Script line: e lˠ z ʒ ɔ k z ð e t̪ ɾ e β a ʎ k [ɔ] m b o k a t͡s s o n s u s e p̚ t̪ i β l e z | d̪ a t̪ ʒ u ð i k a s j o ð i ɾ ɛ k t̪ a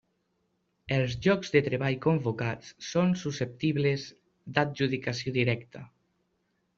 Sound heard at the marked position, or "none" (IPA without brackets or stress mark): o